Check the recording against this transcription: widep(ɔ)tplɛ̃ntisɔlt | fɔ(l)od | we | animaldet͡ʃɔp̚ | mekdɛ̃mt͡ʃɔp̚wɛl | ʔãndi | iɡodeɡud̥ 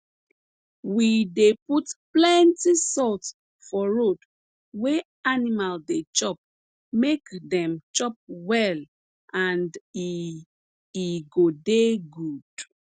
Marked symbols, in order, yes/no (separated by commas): no, no